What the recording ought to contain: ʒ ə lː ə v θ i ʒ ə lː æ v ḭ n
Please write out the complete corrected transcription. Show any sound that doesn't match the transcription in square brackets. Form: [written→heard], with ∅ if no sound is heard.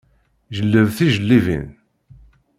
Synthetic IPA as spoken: ʒ ə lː ə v θ i ʒ ə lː [æ→i] v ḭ n

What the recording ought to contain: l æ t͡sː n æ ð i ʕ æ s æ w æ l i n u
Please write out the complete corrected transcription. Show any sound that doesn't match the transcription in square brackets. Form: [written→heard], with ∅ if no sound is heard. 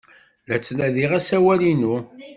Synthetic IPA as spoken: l æ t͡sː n æ ð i [ʕ→ʁ] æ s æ w æ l i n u

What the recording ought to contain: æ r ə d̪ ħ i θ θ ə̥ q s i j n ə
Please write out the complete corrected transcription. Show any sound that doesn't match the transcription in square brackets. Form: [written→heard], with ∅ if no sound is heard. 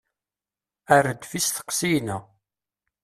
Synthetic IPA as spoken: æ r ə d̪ [ħ→f] i [θ→s] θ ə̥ q s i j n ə

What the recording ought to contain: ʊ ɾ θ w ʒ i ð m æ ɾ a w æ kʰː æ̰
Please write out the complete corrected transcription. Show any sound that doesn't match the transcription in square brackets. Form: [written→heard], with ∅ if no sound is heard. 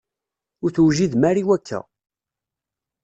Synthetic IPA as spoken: ʊ ɾ θ w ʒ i ð m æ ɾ [a→i] w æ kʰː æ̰

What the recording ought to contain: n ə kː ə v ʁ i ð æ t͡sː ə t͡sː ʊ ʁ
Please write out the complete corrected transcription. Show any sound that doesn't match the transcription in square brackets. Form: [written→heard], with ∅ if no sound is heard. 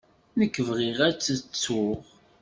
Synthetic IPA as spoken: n ə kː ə v ʁ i [ð→ʁ] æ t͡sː ə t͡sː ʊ ʁ

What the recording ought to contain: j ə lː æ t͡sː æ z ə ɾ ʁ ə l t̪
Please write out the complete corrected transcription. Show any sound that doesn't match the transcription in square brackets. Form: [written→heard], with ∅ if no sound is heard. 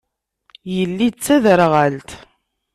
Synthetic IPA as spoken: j ə lː [æ→i] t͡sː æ [z→ð] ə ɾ ʁ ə l t̪

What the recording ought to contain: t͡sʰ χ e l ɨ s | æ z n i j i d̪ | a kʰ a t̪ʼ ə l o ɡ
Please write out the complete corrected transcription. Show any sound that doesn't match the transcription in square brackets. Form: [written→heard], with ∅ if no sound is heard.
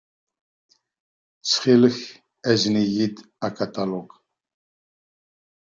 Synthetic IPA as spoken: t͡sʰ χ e l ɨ [s→x] | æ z n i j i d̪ | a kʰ a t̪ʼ [ə→a] l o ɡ

